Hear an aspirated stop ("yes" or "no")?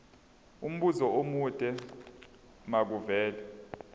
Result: no